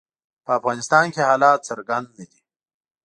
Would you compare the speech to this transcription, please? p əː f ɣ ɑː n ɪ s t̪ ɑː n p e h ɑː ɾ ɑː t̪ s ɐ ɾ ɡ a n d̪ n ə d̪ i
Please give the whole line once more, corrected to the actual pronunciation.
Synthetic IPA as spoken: p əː f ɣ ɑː n ɪ s t̪ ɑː n k e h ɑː l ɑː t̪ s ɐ ɾ ɡ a n d̪ n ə d̪ i